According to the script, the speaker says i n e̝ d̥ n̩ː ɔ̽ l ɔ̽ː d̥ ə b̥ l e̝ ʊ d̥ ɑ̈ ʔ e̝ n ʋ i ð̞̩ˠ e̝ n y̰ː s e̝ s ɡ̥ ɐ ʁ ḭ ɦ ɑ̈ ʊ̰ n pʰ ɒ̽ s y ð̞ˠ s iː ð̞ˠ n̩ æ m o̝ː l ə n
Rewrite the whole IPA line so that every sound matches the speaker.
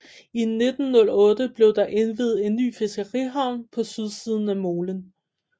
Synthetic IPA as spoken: i n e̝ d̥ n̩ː ɔ̽ l ɔ̽ː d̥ ə b̥ l e̝ ʊ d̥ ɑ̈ ʔ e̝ n ʋ i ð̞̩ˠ e̝ nː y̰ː f e̝ s ɡ̥ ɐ ʁ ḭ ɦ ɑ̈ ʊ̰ n pʰ ɒ̽ s y ð̞ˠ s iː ð̞ˠ n̩ æ m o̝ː l ə n